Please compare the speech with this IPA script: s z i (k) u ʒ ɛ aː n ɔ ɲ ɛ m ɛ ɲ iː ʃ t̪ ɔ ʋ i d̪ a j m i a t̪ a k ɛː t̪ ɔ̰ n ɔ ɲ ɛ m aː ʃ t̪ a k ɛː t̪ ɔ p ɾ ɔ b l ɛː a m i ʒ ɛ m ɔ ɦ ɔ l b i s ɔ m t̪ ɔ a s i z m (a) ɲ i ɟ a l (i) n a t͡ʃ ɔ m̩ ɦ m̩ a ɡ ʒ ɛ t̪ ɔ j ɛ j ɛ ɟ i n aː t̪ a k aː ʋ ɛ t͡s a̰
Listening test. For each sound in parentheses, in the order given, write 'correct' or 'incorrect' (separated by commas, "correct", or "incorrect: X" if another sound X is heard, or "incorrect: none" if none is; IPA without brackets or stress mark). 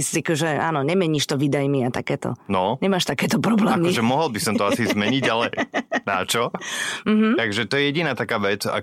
correct, incorrect: ɛ, incorrect: ɛ